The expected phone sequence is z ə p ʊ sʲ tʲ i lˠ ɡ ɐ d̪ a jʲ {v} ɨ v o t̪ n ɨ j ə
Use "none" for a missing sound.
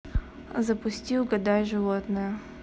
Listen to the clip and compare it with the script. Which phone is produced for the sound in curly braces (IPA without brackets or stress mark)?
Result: ʐ